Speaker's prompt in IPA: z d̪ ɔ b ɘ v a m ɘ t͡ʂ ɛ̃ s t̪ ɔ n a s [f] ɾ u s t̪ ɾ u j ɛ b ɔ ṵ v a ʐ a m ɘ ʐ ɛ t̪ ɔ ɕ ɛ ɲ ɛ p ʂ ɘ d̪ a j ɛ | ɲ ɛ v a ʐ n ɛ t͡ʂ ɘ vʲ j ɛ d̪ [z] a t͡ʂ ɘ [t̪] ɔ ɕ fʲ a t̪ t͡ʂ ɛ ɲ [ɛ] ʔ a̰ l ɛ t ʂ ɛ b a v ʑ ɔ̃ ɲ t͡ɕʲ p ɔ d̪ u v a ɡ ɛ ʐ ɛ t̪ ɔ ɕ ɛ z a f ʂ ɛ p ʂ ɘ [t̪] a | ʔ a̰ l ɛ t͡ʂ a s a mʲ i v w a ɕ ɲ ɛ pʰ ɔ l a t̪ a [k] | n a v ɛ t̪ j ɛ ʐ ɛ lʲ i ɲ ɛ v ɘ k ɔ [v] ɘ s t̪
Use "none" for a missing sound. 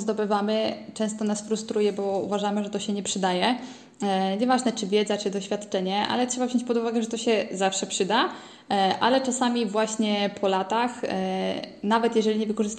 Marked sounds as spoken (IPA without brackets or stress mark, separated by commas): f, z, d̪, ɛ, d̪, x, ʐ